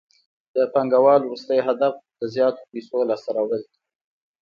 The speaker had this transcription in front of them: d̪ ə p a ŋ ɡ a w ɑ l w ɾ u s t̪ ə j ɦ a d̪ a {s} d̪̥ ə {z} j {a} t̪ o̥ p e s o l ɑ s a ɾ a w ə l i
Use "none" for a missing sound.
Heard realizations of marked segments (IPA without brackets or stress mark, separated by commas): f, z, ɑ